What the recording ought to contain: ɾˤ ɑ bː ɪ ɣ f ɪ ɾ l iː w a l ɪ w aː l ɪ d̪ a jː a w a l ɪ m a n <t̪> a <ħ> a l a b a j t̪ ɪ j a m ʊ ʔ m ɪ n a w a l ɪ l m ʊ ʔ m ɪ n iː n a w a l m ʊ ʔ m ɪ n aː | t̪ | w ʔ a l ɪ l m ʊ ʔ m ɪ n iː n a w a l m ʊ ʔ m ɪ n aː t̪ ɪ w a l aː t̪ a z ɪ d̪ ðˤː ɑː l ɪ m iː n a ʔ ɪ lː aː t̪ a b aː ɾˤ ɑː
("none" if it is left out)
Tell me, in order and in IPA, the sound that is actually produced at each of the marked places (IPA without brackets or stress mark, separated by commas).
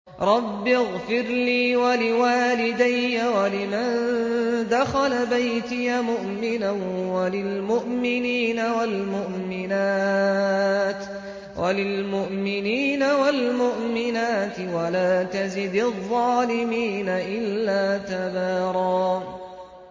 d̪, x